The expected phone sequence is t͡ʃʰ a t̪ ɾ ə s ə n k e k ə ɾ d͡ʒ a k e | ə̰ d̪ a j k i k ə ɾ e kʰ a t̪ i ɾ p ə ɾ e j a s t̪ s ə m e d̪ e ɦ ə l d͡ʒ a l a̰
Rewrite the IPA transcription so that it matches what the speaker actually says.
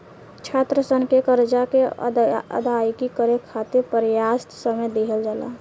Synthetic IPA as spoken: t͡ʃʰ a t̪ ɾ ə s ə n k e k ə ɾ d͡ʒ a k e | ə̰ d̪ a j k i k ə ɾ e kʰ a t̪ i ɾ p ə ɾ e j a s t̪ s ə m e d̪ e ɦ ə l d͡ʒ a l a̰